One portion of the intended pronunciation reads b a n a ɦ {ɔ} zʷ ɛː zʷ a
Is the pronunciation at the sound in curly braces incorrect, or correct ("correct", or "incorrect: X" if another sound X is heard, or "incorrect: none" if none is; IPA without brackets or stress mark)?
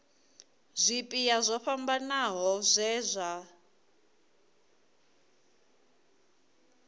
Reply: correct